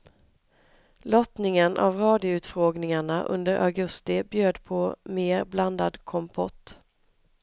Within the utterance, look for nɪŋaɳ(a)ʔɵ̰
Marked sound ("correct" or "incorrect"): correct